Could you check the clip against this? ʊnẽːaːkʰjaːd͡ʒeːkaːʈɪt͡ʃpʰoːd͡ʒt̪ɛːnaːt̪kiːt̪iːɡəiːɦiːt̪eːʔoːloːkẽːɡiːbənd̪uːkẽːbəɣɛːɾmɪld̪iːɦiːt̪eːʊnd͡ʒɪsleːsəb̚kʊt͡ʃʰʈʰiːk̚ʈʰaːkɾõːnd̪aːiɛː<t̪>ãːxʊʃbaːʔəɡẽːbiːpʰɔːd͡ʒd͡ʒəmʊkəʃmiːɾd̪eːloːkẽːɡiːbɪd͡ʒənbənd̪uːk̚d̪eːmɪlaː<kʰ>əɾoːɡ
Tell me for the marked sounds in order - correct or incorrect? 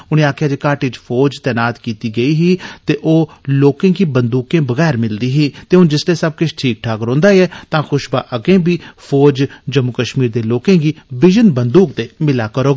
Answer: correct, incorrect

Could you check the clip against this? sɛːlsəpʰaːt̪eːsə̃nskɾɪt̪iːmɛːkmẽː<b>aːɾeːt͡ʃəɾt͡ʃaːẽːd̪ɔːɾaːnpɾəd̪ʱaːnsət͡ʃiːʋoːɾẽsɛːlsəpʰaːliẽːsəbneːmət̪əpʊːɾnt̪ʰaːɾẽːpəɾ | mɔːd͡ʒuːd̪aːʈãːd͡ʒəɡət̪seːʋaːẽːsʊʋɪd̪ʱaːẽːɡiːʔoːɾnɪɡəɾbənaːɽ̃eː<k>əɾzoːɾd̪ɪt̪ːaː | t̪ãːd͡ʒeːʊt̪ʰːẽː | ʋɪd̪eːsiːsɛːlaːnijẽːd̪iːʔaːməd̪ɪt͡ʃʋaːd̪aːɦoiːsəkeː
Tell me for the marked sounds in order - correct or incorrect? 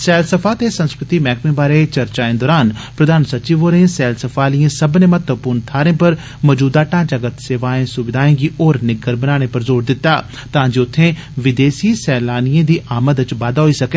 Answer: correct, incorrect

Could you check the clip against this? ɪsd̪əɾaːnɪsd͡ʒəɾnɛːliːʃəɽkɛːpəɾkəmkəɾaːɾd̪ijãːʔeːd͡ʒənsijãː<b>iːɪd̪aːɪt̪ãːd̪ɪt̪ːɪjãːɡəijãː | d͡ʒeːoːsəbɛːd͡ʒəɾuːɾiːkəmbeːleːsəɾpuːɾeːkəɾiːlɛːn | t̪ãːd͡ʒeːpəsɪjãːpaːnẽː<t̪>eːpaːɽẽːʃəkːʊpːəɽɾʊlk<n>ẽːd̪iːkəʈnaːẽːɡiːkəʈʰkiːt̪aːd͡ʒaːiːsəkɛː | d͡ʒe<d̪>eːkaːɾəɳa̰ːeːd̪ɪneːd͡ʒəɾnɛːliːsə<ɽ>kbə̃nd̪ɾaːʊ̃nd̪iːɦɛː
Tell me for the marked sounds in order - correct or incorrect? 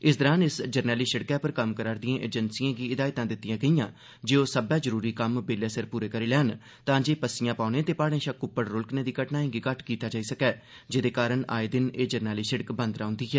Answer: incorrect, correct, correct, correct, correct

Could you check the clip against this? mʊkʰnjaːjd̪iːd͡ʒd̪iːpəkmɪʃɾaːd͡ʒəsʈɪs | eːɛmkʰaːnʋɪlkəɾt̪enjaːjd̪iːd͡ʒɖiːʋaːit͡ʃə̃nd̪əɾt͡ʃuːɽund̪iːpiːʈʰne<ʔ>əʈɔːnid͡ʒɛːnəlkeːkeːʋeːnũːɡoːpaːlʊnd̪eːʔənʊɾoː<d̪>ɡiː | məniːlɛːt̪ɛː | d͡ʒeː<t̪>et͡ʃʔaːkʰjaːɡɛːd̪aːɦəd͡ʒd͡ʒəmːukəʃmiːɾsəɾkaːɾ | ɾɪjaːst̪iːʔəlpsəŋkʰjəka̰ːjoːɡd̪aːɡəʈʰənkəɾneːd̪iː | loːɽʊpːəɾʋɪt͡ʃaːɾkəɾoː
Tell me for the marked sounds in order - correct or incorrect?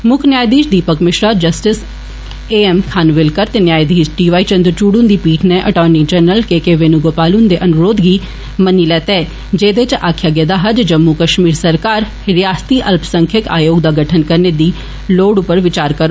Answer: correct, correct, incorrect

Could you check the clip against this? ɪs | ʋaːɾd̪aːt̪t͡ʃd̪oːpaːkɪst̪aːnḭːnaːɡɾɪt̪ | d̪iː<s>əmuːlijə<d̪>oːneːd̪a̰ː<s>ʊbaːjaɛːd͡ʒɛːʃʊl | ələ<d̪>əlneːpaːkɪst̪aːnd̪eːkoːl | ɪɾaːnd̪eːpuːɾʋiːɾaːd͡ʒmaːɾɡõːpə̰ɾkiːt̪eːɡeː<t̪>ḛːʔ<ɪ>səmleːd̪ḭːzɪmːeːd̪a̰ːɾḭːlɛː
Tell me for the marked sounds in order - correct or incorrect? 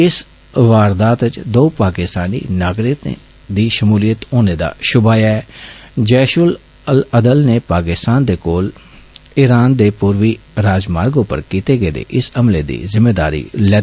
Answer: incorrect, incorrect, incorrect, correct, incorrect, correct

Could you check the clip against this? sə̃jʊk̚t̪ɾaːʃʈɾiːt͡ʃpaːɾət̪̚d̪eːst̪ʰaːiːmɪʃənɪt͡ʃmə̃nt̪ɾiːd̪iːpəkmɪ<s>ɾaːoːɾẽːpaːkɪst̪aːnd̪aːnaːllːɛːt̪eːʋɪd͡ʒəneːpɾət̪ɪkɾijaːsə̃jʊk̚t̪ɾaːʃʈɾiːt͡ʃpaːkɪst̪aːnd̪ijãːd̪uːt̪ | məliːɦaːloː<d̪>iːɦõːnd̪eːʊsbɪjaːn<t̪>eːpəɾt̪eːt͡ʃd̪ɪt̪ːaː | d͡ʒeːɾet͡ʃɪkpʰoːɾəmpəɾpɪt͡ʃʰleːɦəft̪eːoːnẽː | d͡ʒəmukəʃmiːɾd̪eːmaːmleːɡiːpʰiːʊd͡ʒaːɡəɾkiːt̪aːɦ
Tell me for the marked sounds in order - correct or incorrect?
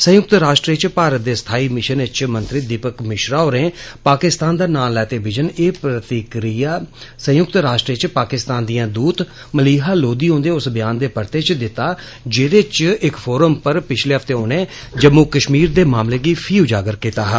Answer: incorrect, correct, incorrect

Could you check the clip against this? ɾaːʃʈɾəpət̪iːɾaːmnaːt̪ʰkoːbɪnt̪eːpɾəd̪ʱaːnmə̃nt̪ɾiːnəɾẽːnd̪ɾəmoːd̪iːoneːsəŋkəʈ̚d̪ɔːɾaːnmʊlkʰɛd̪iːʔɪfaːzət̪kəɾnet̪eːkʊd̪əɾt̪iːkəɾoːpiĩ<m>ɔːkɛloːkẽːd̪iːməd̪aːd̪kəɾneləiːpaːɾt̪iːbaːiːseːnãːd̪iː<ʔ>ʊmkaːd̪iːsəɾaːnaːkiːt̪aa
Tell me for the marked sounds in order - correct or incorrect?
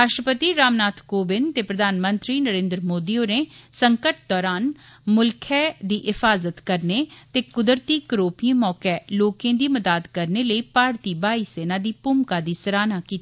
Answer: correct, incorrect

